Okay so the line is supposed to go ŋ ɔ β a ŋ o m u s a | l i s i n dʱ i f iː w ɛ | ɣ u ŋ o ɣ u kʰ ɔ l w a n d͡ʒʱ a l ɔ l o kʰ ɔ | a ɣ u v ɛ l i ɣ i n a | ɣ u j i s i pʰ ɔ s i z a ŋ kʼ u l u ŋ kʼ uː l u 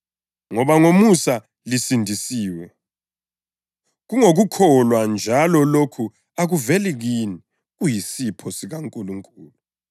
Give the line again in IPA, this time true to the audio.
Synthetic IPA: ŋ ɔ β a ŋ o m u s a | l i s i n dʱ i s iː w ɛ | ɣ u ŋ o ɣ u kʰ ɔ l w a n d͡ʒʱ a l ɔ l o kʰ u | a ɣ u v ɛ l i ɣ i n i | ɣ u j i s i pʰ ɔ s i ɣ a ŋ kʼ u l u ŋ kʼ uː l u